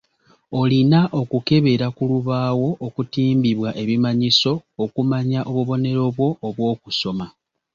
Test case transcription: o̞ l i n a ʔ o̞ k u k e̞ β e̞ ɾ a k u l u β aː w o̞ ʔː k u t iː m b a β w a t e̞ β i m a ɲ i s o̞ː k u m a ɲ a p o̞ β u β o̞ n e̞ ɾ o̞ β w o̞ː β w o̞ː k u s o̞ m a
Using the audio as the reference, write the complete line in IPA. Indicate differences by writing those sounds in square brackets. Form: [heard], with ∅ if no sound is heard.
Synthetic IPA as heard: o̞ l i n a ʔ o̞ k u k e̞ β e̞ ɾ a k u l u β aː w o̞ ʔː k u t iː m b [i] β w a [ʔ] e̞ β i m a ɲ i s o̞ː k u m a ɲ a [ʔ] o̞ β u β o̞ n e̞ ɾ o̞ β w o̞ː β w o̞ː k u s o̞ m a